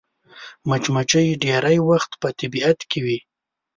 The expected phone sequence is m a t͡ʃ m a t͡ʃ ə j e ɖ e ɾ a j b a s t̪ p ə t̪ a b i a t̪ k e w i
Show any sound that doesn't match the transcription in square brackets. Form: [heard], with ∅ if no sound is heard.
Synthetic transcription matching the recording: m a t͡ʃ m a t͡ʃ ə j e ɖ e ɾ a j [w] a [x] t̪ p ə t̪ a b i a t̪ k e w i